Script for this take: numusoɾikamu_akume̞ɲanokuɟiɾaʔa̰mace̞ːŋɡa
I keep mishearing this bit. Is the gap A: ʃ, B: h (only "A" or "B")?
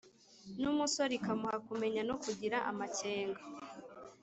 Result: B